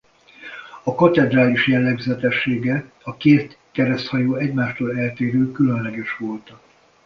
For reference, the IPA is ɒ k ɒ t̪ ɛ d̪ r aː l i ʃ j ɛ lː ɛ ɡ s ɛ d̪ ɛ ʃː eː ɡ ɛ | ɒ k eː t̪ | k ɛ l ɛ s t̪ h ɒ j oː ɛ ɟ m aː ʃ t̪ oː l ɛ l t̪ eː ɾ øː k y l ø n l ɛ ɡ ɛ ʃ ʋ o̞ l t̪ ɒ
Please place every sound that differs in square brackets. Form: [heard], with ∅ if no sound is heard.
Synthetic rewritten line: ɒ k ɒ t̪ ɛ d̪ r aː l i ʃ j ɛ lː ɛ ɡ [z] ɛ [t̪] ɛ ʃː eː ɡ ɛ | ɒ k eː t̪ | k ɛ [ɾ] ɛ s t̪ h ɒ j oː ɛ ɟ m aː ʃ t̪ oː l ɛ l t̪ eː ɾ øː k y l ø n l ɛ ɡ ɛ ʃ ʋ o̞ l t̪ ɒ

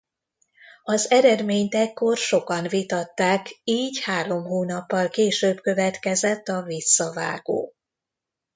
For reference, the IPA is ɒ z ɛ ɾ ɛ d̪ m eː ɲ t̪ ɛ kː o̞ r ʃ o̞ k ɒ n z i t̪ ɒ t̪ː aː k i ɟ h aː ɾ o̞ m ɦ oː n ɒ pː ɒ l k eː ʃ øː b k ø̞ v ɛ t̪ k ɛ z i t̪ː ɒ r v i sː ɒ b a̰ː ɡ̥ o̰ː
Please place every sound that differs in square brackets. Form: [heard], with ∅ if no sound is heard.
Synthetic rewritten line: ɒ z ɛ ɾ ɛ d̪ m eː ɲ t̪ ɛ kː o̞ r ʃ o̞ k ɒ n [v] i t̪ ɒ t̪ː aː k [iː] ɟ h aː ɾ o̞ m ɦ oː n ɒ pː ɒ l k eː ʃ øː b k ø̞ v ɛ t̪ k ɛ z [ɛ] t̪ː ɒ [∅] v i sː ɒ [v] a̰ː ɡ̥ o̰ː

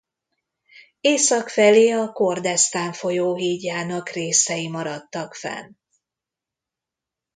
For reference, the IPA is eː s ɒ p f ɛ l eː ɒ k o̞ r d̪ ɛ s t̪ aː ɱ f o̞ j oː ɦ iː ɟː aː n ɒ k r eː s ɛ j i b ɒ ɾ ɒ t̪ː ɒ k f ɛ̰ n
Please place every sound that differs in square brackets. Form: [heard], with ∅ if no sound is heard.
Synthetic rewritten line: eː s ɒ [k] f ɛ l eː ɒ k o̞ r d̪ ɛ s t̪ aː ɱ f o̞ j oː ɦ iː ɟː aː n ɒ k r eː s ɛ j i [m] ɒ ɾ ɒ t̪ː ɒ k f ɛ̰ n

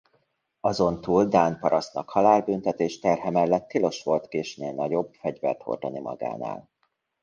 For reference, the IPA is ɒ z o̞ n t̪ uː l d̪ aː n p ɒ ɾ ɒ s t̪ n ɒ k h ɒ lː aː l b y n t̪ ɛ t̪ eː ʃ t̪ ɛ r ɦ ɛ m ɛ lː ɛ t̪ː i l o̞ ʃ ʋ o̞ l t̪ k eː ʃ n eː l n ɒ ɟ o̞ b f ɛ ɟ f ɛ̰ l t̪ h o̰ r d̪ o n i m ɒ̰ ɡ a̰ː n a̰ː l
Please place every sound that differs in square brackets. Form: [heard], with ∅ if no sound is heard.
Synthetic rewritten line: ɒ z o̞ n t̪ uː l d̪ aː n p ɒ ɾ ɒ s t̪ n ɒ k h ɒ [l] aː l b y n t̪ ɛ t̪ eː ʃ t̪ ɛ r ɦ ɛ m ɛ lː ɛ t̪ː i l o̞ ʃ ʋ o̞ l t̪ k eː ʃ n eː l n ɒ ɟ o̞ b f ɛ ɟ [v] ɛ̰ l t̪ h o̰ r d̪ o n i m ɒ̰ ɡ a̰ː n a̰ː l

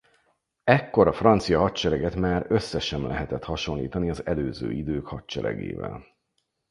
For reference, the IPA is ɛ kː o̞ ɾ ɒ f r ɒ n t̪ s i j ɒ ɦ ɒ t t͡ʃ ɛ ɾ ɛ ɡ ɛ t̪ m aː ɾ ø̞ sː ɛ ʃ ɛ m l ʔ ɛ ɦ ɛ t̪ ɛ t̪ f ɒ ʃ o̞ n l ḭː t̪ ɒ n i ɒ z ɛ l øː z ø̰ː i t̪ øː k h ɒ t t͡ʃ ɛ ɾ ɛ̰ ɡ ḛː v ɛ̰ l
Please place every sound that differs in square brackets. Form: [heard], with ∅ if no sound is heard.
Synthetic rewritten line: ɛ kː o̞ ɾ ɒ f r ɒ n t̪ s i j ɒ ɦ ɒ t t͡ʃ ɛ ɾ ɛ ɡ ɛ t̪ m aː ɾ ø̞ sː ɛ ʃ ɛ m l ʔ ɛ ɦ ɛ t̪ ɛ t̪ [h] ɒ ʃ o̞ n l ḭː t̪ ɒ n i ɒ z ɛ l øː z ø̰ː i [d̪] øː k h ɒ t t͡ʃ ɛ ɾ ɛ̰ ɡ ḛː v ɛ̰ l

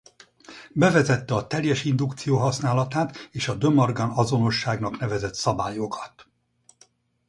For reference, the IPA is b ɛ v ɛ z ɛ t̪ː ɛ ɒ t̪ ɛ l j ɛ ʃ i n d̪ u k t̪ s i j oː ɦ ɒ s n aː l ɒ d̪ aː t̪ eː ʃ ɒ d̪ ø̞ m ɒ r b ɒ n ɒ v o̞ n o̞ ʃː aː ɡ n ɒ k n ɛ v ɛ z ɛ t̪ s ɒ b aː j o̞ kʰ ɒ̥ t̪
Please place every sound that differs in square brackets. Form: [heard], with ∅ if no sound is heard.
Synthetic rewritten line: b ɛ v ɛ z ɛ t̪ː ɛ ɒ t̪ ɛ l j ɛ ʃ i n d̪ u k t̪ s i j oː ɦ ɒ s n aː l ɒ [t̪] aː t̪ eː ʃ ɒ d̪ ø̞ m ɒ r [ɡ] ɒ n ɒ [z] o̞ n o̞ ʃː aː ɡ n ɒ k n ɛ v ɛ z ɛ t̪ s ɒ b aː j o̞ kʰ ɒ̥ t̪

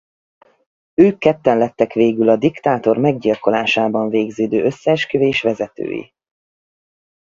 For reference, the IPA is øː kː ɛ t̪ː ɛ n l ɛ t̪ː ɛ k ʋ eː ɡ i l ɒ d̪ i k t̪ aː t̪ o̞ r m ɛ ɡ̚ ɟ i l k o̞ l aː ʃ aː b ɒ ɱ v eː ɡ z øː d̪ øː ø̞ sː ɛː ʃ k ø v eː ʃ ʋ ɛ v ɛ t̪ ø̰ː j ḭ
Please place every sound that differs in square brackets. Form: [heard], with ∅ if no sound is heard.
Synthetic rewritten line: øː kː ɛ t̪ː ɛ n l ɛ t̪ː ɛ k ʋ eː ɡ [y] l ɒ d̪ i k t̪ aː t̪ o̞ r m ɛ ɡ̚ ɟ i l k o̞ l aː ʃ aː b ɒ ɱ v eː ɡ z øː d̪ øː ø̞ sː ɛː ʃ k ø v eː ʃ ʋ ɛ [z] ɛ t̪ ø̰ː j ḭ

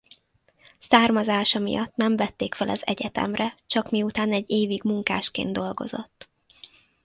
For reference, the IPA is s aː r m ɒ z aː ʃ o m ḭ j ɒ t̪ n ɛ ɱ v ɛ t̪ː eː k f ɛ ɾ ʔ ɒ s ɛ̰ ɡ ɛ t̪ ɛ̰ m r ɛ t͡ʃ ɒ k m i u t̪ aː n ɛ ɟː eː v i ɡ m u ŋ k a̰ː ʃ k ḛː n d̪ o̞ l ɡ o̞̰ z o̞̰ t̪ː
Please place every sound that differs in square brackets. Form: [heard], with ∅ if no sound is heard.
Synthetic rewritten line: s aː r m ɒ z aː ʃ [ɒ] m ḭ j ɒ t̪ n ɛ ɱ v ɛ t̪ː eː k f ɛ [l] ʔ ɒ [z] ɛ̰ [ɟ] ɛ t̪ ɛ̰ m r ɛ t͡ʃ ɒ k m i u t̪ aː n ɛ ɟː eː v i ɡ m u ŋ k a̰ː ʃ k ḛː n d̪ o̞ l ɡ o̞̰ z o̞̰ t̪ː

